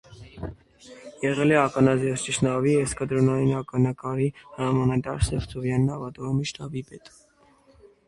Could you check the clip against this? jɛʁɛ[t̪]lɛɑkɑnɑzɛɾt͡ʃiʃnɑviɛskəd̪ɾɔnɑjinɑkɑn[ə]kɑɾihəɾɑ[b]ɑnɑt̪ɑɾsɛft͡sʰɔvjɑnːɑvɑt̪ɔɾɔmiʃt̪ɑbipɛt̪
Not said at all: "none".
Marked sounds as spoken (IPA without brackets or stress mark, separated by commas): none, ɑ, m